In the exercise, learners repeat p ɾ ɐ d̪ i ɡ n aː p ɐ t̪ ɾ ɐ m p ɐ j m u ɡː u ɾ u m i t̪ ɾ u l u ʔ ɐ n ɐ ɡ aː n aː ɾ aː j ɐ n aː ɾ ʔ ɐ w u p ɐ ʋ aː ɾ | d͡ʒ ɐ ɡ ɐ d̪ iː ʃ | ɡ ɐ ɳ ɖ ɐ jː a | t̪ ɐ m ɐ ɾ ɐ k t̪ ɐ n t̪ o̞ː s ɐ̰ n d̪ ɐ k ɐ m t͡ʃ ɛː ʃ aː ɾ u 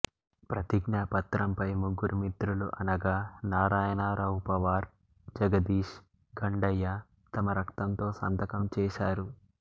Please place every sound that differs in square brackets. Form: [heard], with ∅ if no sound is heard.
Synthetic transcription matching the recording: p ɾ ɐ [t̪] i ɡ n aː p ɐ t̪ ɾ ɐ m p ɐ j m u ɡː u ɾ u m i t̪ ɾ u l u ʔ ɐ n ɐ ɡ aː n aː ɾ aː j ɐ n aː ɾ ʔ ɐ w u p ɐ ʋ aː ɾ | d͡ʒ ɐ ɡ ɐ d̪ iː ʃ | ɡ ɐ ɳ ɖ ɐ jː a | t̪ ɐ m ɐ ɾ ɐ k t̪ ɐ n t̪ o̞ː s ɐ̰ n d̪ ɐ k ɐ m t͡ʃ ɛː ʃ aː ɾ u